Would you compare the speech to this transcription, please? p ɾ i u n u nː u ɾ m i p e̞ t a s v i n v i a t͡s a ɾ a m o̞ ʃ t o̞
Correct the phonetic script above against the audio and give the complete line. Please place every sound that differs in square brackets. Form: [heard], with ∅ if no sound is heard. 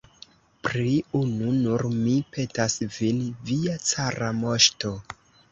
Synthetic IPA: p ɾ i u n u [n] u ɾ m i p e̞ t a s v i n v i a t͡s a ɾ a m o̞ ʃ t o̞

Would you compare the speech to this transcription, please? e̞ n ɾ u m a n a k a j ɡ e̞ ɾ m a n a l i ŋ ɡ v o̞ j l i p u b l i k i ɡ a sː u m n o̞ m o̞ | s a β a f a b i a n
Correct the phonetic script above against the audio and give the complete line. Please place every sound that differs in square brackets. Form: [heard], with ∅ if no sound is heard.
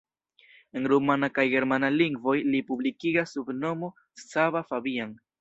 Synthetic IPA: e̞ n ɾ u m a n a k a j ɡ e̞ ɾ m a n a l i ŋ ɡ v o̞ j l i p u b l i k i ɡ a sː u [b] n o̞ m o̞ | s a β a f a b i a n

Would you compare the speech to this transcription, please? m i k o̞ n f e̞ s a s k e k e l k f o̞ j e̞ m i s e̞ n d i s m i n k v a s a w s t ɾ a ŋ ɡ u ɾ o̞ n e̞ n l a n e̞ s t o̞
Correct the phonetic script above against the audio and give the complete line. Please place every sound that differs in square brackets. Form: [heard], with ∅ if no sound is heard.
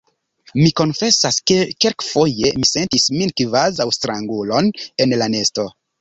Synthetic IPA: m i k o̞ n f e̞ s a s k e k e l k f o̞ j e̞ m i s e̞ n [t] i s m i n k v a [z] a w s t ɾ a ŋ ɡ u [l] o̞ n e̞ n l a n e̞ s t o̞

